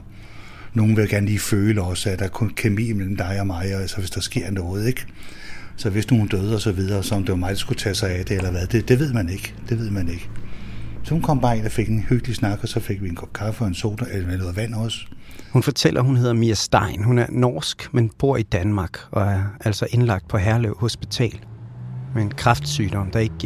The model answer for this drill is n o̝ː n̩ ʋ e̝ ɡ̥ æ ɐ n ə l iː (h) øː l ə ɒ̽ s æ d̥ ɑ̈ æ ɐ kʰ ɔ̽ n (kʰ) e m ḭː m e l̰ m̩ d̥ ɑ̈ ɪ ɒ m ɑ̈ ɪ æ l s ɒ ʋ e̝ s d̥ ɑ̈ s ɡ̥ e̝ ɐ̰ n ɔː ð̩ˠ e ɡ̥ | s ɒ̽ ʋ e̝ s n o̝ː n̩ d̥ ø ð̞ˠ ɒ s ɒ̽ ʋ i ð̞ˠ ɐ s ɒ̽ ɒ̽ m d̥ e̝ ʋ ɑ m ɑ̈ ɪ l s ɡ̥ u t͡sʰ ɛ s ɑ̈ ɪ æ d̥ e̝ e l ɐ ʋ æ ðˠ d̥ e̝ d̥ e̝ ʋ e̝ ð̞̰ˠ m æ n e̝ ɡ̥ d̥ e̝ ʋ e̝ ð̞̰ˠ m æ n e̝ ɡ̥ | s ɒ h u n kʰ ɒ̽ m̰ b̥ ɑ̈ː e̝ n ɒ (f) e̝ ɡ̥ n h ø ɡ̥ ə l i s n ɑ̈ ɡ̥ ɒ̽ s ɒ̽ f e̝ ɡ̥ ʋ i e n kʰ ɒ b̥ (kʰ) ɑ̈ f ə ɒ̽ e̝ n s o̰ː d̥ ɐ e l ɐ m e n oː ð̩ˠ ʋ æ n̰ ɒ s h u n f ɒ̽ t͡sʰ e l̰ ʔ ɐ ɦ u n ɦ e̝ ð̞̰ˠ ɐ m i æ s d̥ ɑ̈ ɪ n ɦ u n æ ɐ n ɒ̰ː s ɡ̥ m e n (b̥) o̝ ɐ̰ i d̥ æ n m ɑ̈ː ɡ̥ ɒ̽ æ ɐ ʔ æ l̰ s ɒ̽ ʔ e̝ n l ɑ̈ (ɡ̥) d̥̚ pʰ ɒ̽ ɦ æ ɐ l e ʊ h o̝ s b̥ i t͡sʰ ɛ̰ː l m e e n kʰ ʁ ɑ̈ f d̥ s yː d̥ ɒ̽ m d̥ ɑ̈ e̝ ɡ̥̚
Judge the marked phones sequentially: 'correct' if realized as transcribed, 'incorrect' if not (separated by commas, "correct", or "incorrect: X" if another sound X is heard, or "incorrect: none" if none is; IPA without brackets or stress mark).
incorrect: f, correct, correct, correct, correct, correct